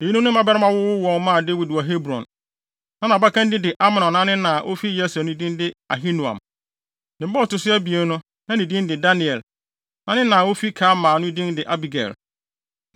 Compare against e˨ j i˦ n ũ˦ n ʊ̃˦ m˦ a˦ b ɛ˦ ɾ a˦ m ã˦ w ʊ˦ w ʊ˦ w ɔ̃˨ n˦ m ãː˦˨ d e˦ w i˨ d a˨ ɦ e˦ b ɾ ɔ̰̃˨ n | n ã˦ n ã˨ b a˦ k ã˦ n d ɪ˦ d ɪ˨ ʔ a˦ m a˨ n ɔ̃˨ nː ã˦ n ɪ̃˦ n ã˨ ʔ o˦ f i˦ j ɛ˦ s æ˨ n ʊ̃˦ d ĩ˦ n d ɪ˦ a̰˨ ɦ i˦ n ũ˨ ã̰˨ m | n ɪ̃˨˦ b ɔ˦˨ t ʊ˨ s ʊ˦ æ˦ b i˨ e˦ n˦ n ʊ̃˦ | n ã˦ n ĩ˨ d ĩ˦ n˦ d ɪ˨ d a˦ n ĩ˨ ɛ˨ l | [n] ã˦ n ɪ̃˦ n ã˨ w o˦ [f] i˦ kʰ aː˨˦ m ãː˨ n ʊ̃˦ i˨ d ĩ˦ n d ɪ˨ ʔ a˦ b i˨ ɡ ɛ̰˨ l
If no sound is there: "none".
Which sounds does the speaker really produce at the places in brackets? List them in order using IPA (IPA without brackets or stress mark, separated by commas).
n, f